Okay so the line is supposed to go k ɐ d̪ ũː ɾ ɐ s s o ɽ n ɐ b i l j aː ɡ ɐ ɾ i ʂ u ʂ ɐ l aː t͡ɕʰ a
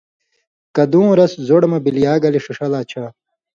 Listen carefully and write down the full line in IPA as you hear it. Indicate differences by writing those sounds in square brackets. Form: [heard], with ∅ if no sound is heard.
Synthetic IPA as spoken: k ɐ d̪ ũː ɾ ɐ s [z] o ɽ [m] ɐ b i l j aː ɡ ɐ [l] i ʂ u ʂ ɐ l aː t͡ɕʰ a